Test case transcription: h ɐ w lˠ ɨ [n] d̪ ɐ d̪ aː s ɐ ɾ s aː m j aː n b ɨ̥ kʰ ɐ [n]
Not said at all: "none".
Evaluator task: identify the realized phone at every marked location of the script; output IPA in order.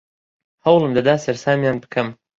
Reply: m, m

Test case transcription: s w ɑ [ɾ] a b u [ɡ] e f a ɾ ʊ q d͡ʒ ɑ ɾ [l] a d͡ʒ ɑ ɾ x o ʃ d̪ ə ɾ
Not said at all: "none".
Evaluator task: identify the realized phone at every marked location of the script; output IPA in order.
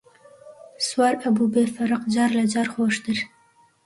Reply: ɾ, b, l

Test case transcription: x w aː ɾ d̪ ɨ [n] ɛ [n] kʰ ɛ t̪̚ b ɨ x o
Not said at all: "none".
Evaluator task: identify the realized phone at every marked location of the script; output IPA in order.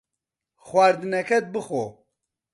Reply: n, none

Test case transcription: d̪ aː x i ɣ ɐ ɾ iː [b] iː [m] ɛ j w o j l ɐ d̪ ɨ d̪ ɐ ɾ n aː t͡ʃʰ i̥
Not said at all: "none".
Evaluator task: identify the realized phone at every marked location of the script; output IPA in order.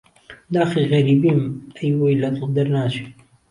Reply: b, m

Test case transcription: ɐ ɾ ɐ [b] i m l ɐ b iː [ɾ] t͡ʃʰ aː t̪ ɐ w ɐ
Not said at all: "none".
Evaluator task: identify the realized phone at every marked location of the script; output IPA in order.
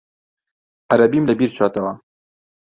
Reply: b, ɾ

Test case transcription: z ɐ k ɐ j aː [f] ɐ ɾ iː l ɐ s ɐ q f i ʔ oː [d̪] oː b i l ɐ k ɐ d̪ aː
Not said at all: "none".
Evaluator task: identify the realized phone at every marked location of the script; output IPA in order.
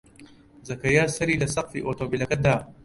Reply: s, t̪

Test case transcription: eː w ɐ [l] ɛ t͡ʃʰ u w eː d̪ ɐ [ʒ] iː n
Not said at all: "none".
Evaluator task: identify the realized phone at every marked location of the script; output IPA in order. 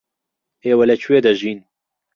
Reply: l, ʒ

